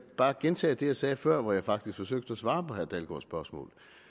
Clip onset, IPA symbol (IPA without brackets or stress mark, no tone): b̥